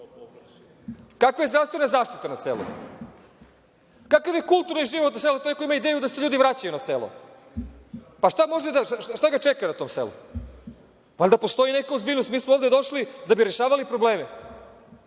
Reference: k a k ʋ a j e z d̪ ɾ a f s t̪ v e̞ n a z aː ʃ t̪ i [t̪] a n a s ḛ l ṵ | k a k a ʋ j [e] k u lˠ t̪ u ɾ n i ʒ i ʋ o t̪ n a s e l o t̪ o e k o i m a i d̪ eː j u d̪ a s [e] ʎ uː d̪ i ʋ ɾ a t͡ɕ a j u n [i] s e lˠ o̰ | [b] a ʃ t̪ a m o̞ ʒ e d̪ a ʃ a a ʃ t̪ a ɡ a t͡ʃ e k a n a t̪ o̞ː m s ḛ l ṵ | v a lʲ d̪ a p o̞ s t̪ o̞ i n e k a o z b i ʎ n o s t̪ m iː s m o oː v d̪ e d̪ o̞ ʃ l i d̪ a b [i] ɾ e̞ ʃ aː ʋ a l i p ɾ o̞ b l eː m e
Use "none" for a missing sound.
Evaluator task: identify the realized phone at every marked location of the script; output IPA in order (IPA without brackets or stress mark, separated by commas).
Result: t̪, e, e, a, p, i